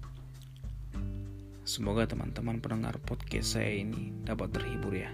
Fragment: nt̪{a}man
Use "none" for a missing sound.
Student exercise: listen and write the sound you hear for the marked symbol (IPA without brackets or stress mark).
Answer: ə